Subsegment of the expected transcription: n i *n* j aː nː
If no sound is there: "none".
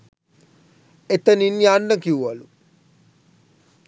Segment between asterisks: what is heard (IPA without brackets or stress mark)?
n